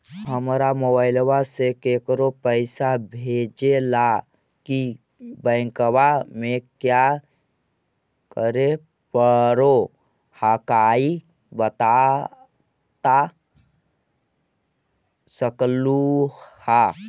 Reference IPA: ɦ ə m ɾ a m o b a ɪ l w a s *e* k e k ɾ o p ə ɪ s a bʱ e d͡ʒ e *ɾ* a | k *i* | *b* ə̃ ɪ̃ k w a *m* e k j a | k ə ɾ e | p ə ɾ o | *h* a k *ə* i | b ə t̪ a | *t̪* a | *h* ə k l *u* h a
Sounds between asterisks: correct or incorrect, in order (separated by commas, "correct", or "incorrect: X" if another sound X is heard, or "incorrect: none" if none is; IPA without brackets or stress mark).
correct, incorrect: l, correct, correct, correct, correct, incorrect: a, correct, incorrect: s, correct